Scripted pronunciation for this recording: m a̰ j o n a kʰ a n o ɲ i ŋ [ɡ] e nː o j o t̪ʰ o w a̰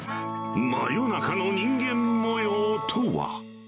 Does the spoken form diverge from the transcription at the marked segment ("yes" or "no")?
no